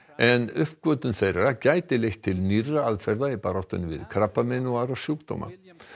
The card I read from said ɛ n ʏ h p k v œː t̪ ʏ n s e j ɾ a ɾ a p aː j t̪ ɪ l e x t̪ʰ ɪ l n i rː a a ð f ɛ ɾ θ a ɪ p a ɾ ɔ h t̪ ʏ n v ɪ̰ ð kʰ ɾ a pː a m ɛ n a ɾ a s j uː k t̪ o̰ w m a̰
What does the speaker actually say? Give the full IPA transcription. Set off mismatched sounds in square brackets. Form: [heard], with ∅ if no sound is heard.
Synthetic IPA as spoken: ɛ n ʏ h p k v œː t̪ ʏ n [θ] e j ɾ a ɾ a [c] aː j t̪ ɪ l e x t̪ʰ ɪ l n i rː a a ð f ɛ ɾ [ð] a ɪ p a ɾ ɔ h t̪ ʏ n v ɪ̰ ð kʰ ɾ a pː a m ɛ n a ɾ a s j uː k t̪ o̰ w m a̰